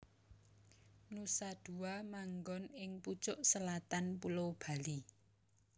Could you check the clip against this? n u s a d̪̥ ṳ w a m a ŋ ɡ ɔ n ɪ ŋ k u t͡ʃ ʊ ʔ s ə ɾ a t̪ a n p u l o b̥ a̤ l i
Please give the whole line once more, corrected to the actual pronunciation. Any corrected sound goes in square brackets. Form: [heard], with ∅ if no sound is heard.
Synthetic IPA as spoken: n u s a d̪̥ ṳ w a m a ŋ ɡ ɔ n ɪ ŋ [p] u t͡ʃ ʊ ʔ s ə [l] a t̪ a n p u l o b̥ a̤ l i